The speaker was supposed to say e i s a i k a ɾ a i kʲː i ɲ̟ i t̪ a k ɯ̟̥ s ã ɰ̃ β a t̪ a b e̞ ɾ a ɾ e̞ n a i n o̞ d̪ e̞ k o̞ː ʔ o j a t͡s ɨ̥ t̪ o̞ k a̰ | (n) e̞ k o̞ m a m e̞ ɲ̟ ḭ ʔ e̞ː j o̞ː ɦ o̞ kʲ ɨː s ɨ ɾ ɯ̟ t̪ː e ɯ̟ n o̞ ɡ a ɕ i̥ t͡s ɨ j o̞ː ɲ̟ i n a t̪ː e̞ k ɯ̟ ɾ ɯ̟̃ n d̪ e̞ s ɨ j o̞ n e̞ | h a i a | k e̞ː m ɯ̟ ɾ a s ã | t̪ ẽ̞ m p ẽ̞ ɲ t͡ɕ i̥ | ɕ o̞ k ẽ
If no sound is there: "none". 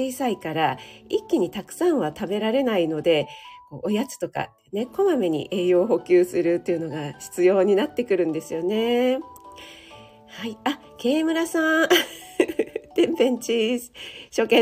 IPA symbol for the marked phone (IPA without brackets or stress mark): n